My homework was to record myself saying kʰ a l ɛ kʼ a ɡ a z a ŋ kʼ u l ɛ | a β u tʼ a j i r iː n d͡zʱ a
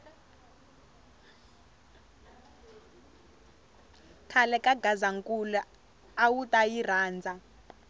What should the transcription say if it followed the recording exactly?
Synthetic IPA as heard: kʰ a l ɛ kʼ a ɡ a z a ŋ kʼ u l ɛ | a w u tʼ a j i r aː n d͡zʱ a